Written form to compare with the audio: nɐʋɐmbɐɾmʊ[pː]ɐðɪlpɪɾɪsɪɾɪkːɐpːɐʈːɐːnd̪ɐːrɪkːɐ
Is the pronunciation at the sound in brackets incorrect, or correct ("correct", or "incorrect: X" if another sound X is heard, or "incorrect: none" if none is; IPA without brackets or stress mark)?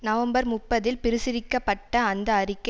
correct